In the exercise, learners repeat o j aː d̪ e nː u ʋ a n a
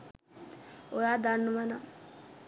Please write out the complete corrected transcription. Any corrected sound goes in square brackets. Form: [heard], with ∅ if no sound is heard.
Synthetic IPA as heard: o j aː d̪ [a] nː u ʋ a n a